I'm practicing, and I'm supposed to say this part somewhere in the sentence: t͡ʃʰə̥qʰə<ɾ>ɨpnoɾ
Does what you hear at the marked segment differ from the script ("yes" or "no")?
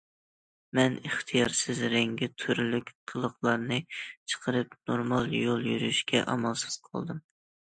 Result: no